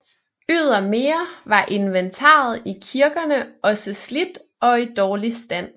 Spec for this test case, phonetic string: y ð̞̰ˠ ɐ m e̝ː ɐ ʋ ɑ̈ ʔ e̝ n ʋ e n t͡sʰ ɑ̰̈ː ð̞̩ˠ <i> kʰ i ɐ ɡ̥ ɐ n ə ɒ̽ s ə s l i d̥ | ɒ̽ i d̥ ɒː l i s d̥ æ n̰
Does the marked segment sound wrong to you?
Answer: no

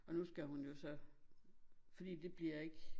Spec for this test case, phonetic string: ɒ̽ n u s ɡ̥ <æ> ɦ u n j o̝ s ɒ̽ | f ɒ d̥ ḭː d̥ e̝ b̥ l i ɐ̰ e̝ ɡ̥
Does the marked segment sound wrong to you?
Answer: no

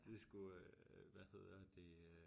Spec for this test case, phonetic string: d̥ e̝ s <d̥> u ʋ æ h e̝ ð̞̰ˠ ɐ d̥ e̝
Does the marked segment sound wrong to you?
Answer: yes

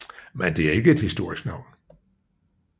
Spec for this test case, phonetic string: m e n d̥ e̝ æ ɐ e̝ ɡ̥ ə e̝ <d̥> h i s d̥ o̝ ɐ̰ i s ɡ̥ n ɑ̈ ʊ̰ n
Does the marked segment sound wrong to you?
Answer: no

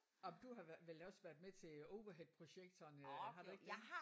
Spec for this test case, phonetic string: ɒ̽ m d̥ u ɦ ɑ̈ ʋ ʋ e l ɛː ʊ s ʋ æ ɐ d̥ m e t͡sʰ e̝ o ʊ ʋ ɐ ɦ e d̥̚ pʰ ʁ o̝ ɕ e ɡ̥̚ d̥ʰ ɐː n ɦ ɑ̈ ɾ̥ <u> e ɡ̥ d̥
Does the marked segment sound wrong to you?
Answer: no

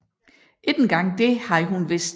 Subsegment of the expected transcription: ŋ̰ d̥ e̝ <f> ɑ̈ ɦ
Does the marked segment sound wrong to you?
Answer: yes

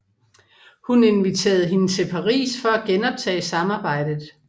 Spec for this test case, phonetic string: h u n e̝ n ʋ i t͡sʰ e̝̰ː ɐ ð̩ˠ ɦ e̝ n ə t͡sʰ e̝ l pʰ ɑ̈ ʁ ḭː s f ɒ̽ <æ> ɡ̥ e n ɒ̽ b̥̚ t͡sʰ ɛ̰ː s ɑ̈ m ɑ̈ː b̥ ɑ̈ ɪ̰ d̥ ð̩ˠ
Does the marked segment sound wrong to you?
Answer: no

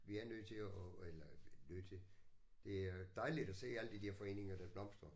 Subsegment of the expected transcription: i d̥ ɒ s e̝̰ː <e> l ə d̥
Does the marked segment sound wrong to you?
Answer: yes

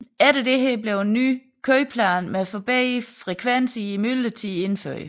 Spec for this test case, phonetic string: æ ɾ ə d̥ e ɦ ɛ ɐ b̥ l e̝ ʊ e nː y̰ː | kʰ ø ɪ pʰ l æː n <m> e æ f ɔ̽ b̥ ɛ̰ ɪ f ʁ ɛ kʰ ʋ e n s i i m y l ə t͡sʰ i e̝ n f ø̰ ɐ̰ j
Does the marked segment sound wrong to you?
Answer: no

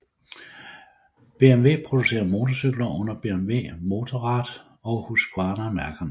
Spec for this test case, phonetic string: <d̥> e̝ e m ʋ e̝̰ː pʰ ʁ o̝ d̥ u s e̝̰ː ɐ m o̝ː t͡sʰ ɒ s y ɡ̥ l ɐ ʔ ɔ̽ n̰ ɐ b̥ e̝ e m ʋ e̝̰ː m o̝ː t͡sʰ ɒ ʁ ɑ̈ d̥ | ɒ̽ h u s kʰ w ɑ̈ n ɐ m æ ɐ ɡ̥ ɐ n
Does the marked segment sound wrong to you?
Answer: yes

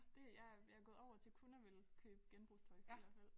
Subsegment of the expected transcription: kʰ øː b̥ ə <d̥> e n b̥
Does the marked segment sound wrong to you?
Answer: yes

